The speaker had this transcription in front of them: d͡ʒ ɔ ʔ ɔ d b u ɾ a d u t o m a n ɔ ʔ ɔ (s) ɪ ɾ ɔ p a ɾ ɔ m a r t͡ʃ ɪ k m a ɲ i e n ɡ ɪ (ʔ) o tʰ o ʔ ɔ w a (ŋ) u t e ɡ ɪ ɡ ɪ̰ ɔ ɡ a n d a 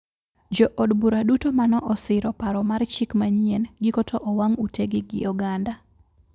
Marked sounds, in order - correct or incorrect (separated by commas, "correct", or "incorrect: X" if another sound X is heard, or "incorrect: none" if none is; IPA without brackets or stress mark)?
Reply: correct, incorrect: k, correct